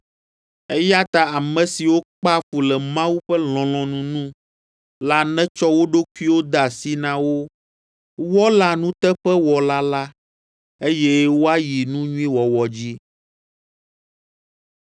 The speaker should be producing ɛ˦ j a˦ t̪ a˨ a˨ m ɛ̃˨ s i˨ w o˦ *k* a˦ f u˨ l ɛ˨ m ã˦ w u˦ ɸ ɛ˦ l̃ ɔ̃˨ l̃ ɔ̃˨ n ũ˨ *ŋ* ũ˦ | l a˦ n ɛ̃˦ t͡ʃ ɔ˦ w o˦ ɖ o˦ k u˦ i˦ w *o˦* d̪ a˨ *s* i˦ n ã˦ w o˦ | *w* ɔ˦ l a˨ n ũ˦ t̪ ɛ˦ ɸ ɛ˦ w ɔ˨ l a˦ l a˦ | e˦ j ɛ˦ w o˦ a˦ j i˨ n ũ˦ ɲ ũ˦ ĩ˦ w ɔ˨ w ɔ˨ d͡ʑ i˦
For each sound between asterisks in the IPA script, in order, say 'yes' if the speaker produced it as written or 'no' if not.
no, no, yes, yes, yes

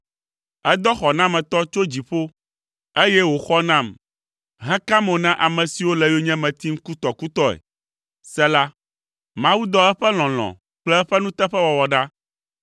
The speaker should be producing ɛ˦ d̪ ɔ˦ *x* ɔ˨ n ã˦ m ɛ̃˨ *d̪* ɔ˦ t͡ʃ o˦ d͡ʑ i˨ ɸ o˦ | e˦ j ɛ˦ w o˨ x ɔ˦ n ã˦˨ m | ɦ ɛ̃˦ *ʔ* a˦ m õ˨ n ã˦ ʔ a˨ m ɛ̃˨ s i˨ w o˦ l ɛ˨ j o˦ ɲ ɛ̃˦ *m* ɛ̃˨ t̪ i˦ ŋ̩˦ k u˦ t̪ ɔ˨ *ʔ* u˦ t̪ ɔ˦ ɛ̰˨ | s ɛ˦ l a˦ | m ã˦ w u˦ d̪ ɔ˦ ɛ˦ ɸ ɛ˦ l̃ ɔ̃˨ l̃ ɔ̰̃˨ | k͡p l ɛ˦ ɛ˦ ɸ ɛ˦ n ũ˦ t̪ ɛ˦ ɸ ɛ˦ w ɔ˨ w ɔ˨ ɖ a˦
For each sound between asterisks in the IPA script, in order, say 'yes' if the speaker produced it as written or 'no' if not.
yes, no, no, yes, no

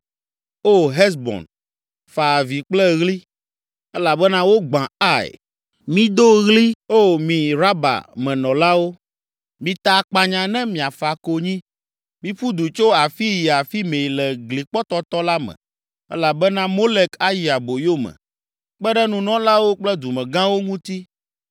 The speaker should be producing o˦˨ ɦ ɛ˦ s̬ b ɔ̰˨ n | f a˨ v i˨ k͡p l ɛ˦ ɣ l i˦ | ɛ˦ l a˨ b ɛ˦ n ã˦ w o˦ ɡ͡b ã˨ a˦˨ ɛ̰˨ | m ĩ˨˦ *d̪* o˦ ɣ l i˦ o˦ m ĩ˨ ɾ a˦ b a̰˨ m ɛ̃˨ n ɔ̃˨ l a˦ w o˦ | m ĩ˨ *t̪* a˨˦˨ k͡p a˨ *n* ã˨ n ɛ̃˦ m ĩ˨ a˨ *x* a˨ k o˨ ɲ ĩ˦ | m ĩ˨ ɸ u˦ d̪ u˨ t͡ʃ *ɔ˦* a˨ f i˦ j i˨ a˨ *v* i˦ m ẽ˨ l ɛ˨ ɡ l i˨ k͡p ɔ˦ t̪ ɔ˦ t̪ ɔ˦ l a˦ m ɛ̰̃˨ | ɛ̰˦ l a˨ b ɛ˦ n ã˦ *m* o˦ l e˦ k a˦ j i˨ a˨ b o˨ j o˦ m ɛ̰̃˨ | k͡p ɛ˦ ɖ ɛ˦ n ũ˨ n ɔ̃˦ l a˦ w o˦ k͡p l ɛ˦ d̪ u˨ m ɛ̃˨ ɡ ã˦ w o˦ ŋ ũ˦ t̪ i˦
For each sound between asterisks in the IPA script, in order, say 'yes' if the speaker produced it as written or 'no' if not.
yes, yes, no, no, no, no, yes

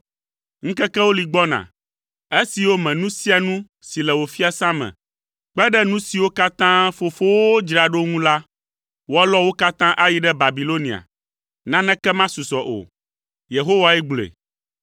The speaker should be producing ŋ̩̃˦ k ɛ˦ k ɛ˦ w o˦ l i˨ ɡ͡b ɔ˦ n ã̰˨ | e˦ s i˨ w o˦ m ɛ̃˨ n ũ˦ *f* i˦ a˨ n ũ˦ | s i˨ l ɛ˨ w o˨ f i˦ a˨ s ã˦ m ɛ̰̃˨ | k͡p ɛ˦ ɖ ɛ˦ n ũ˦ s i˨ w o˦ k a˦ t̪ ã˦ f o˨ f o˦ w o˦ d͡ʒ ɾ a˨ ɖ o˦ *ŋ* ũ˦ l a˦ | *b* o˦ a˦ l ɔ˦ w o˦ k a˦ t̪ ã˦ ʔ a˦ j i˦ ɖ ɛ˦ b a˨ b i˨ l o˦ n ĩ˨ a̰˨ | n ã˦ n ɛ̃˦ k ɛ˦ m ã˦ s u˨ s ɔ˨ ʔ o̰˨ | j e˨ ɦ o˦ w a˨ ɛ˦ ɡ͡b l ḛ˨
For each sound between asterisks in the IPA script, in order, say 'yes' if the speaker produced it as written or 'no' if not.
no, yes, no

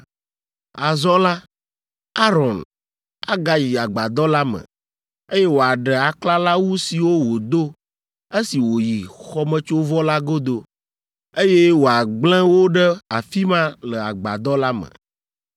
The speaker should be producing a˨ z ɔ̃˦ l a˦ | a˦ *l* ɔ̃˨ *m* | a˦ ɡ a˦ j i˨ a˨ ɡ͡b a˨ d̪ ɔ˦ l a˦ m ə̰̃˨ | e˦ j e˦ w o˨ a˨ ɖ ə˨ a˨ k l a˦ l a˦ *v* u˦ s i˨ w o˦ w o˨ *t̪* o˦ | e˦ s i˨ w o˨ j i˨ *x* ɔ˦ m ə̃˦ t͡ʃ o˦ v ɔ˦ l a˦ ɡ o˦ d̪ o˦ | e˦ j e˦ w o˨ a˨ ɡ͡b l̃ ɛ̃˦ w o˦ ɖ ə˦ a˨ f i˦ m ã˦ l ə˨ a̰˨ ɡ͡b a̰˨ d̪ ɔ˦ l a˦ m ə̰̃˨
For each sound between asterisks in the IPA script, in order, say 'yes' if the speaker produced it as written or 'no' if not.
no, no, no, no, yes

